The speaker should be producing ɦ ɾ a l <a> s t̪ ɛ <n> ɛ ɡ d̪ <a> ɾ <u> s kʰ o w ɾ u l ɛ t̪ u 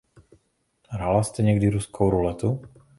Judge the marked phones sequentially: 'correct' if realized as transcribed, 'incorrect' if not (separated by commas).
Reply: correct, incorrect, incorrect, correct